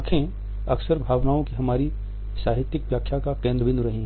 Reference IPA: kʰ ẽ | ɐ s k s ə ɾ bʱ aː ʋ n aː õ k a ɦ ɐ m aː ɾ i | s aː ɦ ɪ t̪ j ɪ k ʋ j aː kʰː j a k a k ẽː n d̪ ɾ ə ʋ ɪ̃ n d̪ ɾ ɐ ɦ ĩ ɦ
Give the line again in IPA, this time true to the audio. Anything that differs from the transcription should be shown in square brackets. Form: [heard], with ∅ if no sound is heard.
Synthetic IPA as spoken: kʰ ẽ | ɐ [∅] k s ə ɾ bʱ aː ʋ n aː õ k [i] ɦ ɐ m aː ɾ i | s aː ɦ ɪ t̪ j ɪ k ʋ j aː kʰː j a k a k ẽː n d̪ ɾ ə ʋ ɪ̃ n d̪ ɾ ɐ ɦ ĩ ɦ